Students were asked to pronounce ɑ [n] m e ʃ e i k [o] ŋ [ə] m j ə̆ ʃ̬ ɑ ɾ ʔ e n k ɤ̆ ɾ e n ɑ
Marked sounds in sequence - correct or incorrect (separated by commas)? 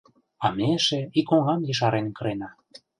incorrect, correct, incorrect